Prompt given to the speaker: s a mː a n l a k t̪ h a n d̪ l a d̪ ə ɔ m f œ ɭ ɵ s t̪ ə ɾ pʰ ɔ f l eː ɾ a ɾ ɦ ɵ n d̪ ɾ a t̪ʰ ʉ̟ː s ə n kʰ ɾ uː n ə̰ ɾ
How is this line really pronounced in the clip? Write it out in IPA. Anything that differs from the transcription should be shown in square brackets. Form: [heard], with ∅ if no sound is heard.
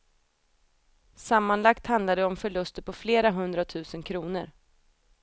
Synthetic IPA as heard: s a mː a n l a k t̪ h a n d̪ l a d̪ ə ɔ m f œ ɭ ɵ s t̪ ə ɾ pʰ ɔ f l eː ɾ a [∅] ɦ ɵ n d̪ ɾ a t̪ʰ ʉ̟ː s ə n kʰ ɾ uː n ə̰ ɾ

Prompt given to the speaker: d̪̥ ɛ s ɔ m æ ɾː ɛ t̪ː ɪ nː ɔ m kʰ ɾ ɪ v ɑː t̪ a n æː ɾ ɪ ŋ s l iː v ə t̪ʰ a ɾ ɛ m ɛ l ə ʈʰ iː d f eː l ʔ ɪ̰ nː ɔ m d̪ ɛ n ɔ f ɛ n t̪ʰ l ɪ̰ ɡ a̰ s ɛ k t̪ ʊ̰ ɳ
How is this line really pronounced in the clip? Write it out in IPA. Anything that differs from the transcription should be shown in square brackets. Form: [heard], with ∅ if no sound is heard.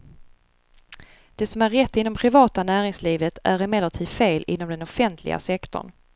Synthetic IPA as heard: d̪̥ ɛ s ɔ m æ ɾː ɛ t̪ː ɪ nː ɔ m [pʰ] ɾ ɪ v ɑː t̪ a n æː ɾ ɪ ŋ s l iː v ə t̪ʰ [æ] ɾ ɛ m ɛ l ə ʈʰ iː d f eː l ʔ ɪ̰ nː ɔ m d̪ ɛ n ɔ f ɛ n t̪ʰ l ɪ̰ ɡ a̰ s ɛ k t̪ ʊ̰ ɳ

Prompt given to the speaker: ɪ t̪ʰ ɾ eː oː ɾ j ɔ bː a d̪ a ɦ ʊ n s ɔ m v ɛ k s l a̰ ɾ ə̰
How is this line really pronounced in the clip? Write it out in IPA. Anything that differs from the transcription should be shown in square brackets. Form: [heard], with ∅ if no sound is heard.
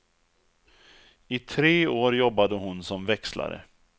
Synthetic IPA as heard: ɪ t̪ʰ ɾ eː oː ɾ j ɔ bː a d̪ [ə] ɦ ʊ n s ɔ m v ɛ k s l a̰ ɾ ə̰

